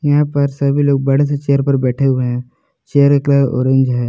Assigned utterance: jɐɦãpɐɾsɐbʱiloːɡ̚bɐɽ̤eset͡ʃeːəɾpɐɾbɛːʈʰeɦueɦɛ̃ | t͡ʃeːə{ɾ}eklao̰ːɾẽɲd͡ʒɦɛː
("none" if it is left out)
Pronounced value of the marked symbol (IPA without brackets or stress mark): ɾ